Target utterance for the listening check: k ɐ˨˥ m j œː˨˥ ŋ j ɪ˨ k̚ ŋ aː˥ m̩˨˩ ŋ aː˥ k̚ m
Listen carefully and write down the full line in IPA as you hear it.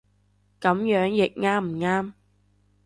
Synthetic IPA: k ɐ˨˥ m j œː˨˥ ŋ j ɪ˨ k̚ ŋ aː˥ m̩˨˩ ŋ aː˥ m